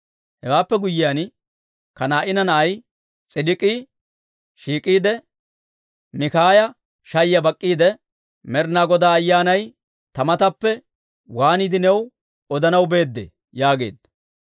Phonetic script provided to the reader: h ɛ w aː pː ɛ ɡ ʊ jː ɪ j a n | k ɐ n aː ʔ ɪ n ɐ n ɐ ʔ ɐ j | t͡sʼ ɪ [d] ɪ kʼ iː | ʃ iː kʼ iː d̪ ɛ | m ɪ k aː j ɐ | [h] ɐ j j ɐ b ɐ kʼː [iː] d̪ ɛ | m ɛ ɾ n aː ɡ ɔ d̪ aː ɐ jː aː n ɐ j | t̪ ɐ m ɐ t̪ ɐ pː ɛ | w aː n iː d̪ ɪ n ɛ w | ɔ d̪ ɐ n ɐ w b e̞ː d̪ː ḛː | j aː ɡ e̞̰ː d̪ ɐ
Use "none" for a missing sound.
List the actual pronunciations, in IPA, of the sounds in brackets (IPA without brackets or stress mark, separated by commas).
d, ʃ, iː